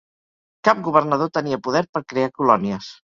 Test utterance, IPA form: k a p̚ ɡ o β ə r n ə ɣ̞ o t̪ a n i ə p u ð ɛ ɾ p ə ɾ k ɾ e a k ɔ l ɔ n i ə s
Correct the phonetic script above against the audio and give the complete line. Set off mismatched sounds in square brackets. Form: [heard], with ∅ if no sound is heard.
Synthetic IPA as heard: k a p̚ ɡ [u] β ə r n ə [ð̞] o t̪ [ə] n i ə p u ð ɛ ɾ p ə ɾ k ɾ e a k [u] l ɔ n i ə s